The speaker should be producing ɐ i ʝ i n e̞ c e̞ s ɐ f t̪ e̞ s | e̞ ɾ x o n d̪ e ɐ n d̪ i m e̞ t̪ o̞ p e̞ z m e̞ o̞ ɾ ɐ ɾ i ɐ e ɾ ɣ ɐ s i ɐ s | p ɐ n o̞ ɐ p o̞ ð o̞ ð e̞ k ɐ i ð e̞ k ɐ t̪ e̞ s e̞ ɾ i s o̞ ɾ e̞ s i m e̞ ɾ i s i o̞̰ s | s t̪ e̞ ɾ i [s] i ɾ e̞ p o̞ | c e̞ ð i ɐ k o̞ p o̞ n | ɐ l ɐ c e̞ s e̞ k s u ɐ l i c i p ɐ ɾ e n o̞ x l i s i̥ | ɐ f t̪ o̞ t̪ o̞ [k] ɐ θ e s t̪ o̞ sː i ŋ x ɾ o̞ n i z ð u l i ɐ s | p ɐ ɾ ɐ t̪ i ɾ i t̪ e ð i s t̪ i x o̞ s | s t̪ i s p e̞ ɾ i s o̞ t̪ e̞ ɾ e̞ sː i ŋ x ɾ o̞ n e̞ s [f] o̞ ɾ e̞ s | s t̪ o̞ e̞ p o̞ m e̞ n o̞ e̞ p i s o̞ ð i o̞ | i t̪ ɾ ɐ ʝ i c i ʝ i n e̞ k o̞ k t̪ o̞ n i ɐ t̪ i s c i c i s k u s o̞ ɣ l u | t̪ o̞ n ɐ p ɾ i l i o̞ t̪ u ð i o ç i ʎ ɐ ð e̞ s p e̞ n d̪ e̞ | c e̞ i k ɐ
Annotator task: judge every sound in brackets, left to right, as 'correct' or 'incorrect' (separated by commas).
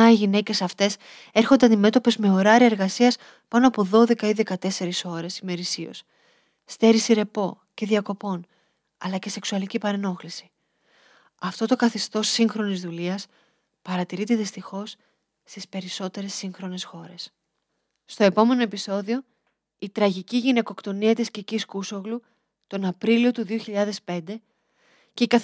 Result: correct, correct, incorrect